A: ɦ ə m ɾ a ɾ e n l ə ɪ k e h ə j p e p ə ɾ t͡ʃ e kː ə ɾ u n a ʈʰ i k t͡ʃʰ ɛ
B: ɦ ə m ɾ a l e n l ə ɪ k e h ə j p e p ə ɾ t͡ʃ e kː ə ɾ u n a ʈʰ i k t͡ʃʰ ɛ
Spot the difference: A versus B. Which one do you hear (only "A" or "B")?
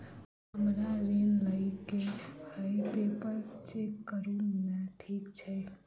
A